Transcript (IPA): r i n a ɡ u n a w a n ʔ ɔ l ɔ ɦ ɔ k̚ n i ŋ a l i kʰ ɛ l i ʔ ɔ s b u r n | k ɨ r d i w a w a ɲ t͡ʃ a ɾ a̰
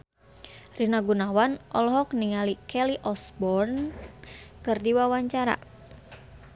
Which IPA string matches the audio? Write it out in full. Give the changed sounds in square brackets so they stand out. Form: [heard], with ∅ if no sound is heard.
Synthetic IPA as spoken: r i n a ɡ u n a w a n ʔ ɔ l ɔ ɦ ɔ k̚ n i ŋ a l i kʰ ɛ l i ʔ ɔ s b [ɔ] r n | k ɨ r d i w a w a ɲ t͡ʃ a ɾ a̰